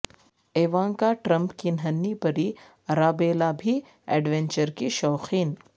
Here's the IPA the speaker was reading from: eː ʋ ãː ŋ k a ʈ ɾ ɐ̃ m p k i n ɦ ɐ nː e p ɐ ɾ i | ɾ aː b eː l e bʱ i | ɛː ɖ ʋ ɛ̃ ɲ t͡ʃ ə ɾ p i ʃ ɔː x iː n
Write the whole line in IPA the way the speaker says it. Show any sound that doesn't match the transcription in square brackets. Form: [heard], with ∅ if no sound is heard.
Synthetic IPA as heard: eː ʋ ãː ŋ k a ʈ ɾ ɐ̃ m p k i n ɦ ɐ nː [i] p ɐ ɾ i | ɾ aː b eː l [a] bʱ i | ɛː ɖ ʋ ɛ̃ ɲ t͡ʃ ə ɾ [k] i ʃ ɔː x iː n